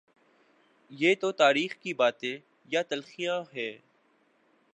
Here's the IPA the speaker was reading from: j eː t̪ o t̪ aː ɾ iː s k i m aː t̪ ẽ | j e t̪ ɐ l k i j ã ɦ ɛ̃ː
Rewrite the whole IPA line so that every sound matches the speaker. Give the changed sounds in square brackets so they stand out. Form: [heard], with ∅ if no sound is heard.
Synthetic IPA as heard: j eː t̪ o t̪ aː ɾ iː [x] k i [b] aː t̪ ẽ | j [a] t̪ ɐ l [x] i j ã ɦ [ɛː]

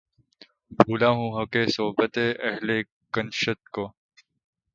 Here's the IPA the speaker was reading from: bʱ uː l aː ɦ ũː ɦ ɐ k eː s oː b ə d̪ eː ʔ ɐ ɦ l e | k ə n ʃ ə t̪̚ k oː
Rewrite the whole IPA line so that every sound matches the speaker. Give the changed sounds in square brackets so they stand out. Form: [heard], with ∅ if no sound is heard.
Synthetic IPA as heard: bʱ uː l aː ɦ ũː ɦ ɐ k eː s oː b ə [t̪] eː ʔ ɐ ɦ l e | k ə n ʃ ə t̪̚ k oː

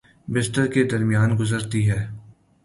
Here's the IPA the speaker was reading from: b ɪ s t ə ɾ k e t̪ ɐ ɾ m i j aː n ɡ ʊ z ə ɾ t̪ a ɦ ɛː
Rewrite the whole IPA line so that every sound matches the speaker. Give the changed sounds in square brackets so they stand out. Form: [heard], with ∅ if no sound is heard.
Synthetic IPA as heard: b ɪ s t ə ɾ k e [d̪] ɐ ɾ m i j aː n ɡ ʊ z ə ɾ t̪ [i] ɦ ɛː

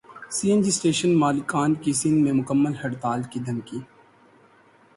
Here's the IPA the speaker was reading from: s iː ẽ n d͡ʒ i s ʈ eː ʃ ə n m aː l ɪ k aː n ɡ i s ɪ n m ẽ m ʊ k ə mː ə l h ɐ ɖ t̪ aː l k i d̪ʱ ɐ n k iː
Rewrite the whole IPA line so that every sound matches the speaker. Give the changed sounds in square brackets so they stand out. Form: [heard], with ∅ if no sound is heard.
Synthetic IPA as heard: s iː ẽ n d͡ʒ i s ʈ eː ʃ ə n m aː l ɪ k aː n [k] i s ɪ n m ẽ m ʊ k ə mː ə l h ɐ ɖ t̪ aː l k i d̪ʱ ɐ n k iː

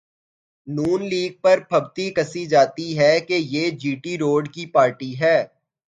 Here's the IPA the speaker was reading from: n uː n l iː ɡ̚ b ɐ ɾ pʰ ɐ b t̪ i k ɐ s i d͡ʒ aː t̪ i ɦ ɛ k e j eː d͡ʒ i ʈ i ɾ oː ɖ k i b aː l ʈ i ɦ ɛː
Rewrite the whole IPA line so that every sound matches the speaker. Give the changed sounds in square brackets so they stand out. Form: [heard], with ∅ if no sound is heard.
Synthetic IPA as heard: n uː n l iː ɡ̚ [p] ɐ ɾ pʰ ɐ b t̪ i k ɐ s i d͡ʒ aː t̪ i ɦ ɛ k e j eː d͡ʒ [iː] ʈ i ɾ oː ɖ k i [p] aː [ɾ] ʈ i ɦ ɛː

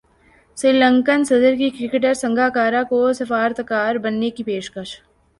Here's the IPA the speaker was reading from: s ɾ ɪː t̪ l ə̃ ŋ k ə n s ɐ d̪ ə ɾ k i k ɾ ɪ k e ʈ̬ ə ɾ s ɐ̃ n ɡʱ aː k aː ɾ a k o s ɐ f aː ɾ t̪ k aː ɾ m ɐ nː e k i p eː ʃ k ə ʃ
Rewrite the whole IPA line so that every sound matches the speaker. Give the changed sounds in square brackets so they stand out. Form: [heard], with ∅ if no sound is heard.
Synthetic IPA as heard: s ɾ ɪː [∅] l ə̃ ŋ k ə n s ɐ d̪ ə ɾ k i k ɾ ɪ k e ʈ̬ ə ɾ s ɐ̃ [ŋ] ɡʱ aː k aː ɾ a k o s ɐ f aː ɾ t̪ k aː ɾ [b] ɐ nː e k i p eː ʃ k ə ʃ

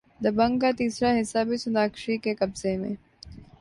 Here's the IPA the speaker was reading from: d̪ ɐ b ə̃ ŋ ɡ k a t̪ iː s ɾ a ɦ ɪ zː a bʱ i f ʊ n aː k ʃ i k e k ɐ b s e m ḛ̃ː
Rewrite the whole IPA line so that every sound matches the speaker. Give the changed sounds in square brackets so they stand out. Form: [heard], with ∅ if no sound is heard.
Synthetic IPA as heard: d̪ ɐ b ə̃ ŋ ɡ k a t̪ iː s ɾ a ɦ ɪ [sː] a bʱ i [s] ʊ n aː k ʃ i k e k ɐ b [z] e m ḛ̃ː

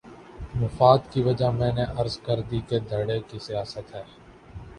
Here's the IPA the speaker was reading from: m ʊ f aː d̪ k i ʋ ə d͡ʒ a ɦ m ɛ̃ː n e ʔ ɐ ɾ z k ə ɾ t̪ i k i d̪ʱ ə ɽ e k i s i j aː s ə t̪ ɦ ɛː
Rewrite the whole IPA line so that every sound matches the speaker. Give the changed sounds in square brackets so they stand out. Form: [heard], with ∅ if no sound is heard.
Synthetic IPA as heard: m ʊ f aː d̪ k i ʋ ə d͡ʒ a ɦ m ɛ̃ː n e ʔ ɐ ɾ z k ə ɾ [d̪] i k [e] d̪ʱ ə ɽ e k i s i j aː s ə t̪ ɦ ɛː

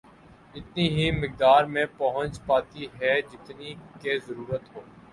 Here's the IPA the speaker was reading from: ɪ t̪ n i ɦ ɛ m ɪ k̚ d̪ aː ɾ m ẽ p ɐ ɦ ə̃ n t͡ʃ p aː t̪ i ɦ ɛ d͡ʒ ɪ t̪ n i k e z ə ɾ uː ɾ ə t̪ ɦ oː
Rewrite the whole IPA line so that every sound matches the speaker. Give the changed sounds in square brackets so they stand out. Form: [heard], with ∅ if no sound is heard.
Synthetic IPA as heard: ɪ t̪ n i ɦ [i] m ɪ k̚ d̪ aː ɾ m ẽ p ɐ ɦ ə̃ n t͡ʃ p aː t̪ i ɦ ɛ d͡ʒ ɪ t̪ n i k e z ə ɾ uː ɾ ə t̪ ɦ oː

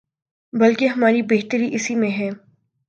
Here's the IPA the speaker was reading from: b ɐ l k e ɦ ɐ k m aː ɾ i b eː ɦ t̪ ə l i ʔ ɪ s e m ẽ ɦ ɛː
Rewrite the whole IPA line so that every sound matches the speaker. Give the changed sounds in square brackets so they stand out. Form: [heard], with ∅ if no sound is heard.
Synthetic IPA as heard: b ɐ l k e ɦ ɐ [∅] m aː ɾ i b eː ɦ t̪ ə [ɾ] i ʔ ɪ s [i] m ẽ ɦ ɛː

